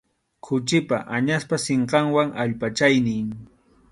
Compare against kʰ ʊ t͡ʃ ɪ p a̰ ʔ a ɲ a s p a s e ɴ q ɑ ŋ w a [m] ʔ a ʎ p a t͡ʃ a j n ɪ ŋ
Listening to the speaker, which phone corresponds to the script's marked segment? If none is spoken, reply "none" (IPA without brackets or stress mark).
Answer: ŋ